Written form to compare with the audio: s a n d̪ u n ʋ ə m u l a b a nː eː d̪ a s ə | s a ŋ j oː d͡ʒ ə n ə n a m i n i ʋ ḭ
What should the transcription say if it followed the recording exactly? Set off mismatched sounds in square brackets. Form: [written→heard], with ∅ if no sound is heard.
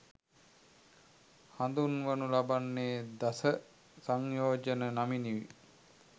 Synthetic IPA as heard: [s→h] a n d̪ u n ʋ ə [m→n] u l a b a nː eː d̪ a s ə | s a ŋ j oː d͡ʒ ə n ə n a m i n i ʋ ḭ